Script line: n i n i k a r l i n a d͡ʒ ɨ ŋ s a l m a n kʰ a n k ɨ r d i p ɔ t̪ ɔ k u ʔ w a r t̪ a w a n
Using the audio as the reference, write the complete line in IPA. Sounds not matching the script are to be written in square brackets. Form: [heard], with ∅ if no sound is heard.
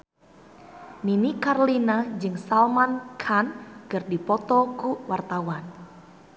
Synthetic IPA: n i n i k a r l i n a d͡ʒ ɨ ŋ s a l m a n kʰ a n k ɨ r d i p ɔ t̪ ɔ k u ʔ w a r t̪ a w a n